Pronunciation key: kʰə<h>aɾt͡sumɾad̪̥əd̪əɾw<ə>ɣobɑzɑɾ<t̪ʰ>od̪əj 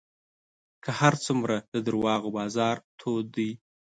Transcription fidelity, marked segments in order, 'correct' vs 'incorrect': correct, incorrect: ɑ, correct

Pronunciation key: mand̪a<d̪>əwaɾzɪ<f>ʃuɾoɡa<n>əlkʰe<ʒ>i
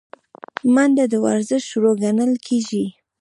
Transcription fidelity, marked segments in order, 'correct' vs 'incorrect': correct, incorrect: ʃ, correct, correct

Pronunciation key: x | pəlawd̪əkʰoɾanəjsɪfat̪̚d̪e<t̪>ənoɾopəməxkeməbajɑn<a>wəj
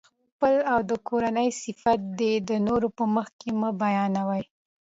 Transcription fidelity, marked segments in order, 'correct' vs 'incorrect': incorrect: d̪, correct

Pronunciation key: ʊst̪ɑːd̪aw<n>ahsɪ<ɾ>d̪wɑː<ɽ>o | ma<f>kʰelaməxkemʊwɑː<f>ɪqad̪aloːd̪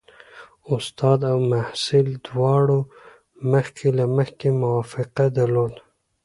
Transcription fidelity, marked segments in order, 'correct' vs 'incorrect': incorrect: m, incorrect: l, correct, incorrect: x, correct

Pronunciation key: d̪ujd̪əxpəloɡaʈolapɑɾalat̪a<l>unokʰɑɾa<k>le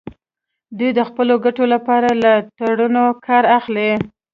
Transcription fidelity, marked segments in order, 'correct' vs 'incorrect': incorrect: ɽ, incorrect: x

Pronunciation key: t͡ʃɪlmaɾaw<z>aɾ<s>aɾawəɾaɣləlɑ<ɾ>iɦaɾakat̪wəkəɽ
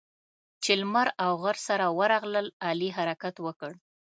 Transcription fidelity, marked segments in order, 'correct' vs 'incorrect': incorrect: ɣ, correct, incorrect: l

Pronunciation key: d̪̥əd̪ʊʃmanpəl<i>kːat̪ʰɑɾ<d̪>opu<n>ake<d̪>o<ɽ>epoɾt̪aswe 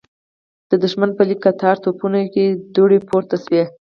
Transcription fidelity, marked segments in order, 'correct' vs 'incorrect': correct, incorrect: t̪, correct, correct, correct

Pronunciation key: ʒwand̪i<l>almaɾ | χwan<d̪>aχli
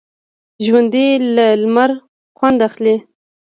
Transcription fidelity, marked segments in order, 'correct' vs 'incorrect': correct, correct

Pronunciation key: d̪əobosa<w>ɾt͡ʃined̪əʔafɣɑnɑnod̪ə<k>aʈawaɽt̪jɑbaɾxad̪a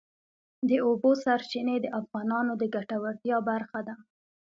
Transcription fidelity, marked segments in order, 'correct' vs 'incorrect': incorrect: none, incorrect: ɡ

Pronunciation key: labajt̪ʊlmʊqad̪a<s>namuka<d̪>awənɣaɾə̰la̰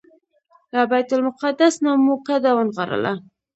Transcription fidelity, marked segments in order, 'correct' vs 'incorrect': correct, correct

